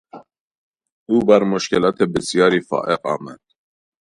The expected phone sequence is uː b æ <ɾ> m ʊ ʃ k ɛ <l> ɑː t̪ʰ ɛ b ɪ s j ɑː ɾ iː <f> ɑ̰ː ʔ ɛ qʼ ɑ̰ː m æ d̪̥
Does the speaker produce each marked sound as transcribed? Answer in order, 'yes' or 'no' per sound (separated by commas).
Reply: yes, yes, yes